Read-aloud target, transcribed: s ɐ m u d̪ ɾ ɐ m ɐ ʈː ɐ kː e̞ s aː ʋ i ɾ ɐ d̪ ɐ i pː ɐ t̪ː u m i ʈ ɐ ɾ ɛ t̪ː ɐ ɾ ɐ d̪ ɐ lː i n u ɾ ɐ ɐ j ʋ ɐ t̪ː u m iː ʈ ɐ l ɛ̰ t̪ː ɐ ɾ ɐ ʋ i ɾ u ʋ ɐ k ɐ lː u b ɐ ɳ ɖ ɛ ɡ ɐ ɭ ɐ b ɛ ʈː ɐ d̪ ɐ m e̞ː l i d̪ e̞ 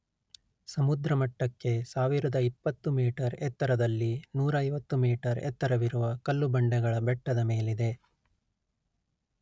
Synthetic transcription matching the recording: s ɐ m u d̪ ɾ ɐ m ɐ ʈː ɐ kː e̞ s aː ʋ i ɾ ɐ d̪ ɐ i pː ɐ t̪ː u m iː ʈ ɐ ɾ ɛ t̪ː ɐ ɾ ɐ d̪ ɐ lː i n uː ɾ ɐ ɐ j ʋ ɐ t̪ː u m iː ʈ ɐ ɾ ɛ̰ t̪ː ɐ ɾ ɐ ʋ i ɾ u ʋ ɐ k ɐ lː u b ɐ ɳ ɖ ɛ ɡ ɐ ɭ ɐ b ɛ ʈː ɐ d̪ ɐ m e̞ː l i d̪ e̞